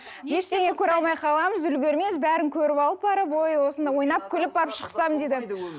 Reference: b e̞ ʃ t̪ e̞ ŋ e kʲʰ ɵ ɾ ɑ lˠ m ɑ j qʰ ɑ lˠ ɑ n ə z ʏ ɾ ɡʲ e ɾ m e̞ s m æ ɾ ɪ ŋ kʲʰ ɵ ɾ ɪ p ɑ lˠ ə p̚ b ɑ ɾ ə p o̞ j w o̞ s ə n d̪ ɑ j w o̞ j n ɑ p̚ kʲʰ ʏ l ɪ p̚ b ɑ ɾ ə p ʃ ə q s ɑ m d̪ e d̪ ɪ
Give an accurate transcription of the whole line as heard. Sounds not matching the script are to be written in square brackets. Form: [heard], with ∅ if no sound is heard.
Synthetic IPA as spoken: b e̞ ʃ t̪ e̞ ŋ e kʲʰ ɵ ɾ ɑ lˠ m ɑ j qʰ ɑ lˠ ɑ [m] ə z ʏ [l] ɡʲ e ɾ m e̞ s [b] æ ɾ ɪ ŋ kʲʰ ɵ ɾ ɪ p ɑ lˠ ə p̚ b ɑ ɾ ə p o̞ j w o̞ s ə n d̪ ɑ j w o̞ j n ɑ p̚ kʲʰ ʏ l ɪ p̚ b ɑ ɾ ə p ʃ ə q s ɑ m d̪ e d̪ ɪ